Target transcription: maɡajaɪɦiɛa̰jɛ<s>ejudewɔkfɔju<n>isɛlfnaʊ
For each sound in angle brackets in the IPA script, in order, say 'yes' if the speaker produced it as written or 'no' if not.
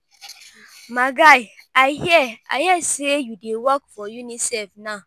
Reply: yes, yes

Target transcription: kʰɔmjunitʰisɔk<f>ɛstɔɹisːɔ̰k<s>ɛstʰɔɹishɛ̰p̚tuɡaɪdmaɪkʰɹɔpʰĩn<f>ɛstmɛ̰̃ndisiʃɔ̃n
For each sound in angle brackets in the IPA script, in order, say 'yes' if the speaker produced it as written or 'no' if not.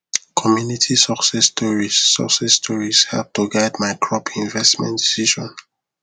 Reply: no, yes, no

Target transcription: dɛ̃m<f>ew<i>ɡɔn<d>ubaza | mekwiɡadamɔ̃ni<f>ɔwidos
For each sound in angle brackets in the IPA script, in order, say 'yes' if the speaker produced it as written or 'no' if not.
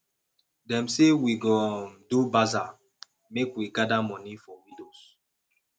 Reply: no, yes, yes, yes

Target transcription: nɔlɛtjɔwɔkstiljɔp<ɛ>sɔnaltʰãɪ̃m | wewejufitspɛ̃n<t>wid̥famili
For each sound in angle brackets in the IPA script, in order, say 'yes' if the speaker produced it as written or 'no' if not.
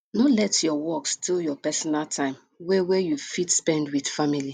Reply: yes, no

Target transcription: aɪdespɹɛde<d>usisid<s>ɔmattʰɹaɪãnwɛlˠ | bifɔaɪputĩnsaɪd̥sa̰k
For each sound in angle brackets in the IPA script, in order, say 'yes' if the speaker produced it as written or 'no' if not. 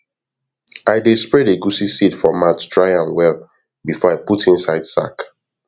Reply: no, no

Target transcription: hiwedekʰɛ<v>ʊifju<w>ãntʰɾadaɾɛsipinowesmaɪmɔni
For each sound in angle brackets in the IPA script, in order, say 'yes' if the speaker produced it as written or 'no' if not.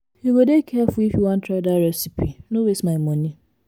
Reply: no, yes

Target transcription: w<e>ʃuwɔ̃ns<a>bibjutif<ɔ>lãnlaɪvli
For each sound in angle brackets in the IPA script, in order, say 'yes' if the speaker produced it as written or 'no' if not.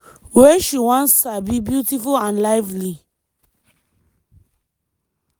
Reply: yes, yes, no

